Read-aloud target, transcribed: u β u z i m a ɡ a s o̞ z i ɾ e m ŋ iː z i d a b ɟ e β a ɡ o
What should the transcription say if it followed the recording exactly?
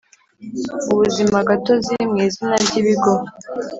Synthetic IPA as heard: u β u z i m a ɡ a t o̞ z i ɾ i m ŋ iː z i n a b ɟ i β i ɡ o